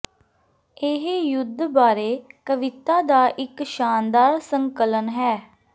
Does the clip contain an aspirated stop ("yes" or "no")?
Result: no